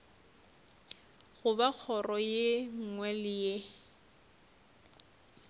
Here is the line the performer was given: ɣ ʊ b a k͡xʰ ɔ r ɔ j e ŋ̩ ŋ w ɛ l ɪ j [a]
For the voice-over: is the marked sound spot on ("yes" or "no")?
no